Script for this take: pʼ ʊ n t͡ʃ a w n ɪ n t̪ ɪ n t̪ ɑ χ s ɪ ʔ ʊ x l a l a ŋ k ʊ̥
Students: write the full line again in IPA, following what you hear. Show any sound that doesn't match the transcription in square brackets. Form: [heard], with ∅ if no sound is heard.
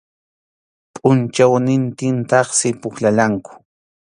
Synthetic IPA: pʼ ʊ n t͡ʃ a w n ɪ n t̪ ɪ n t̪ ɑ χ s ɪ [p] ʊ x l a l a ŋ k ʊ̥